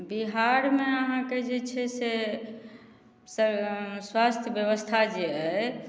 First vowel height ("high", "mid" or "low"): high